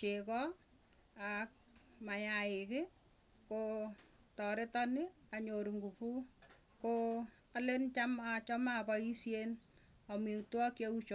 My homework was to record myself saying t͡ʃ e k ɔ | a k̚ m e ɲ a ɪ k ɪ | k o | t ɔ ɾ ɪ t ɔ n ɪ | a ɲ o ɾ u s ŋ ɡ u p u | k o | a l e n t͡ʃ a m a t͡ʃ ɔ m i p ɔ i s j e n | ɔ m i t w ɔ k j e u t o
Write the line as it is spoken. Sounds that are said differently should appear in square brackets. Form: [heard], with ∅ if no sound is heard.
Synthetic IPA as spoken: t͡ʃ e k ɔ | a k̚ m [a] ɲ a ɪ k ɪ | k o | t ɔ ɾ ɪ t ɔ n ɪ | a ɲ o ɾ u [∅] ŋ ɡ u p u | k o | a l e n t͡ʃ a m a t͡ʃ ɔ m [a] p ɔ i s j e n | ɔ m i t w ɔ k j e u [t͡ʃ] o